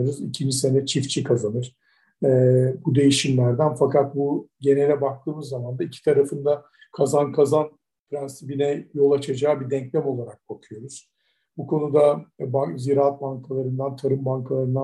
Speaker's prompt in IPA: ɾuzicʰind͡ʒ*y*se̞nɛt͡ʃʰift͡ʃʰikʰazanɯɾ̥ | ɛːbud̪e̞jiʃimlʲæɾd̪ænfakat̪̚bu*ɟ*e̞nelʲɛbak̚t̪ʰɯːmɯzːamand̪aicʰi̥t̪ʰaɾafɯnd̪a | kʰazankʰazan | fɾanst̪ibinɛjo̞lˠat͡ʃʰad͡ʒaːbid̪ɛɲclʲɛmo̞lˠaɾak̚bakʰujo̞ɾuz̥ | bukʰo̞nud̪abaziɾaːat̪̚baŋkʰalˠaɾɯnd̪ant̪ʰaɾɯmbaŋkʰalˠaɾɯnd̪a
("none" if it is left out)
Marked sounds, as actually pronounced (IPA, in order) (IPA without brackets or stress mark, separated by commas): i, ɟ